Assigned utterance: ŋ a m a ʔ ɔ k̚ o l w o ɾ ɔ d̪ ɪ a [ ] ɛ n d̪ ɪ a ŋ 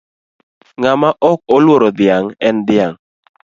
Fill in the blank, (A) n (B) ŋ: B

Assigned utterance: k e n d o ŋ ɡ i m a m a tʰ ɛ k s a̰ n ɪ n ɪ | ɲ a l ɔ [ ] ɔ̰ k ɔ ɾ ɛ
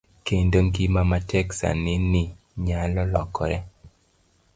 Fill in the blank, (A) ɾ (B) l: B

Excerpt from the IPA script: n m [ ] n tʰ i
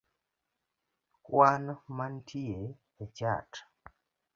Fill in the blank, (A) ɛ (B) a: B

